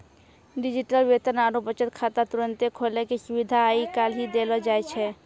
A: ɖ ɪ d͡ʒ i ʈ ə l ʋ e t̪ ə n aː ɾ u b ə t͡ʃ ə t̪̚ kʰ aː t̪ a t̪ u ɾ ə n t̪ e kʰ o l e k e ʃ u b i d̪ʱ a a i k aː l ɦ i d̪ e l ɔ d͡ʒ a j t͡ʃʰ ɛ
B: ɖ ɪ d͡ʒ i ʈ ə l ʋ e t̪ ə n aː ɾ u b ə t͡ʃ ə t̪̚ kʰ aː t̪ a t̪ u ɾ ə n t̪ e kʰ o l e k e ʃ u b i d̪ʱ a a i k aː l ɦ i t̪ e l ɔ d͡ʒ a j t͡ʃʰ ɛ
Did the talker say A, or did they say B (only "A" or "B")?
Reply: A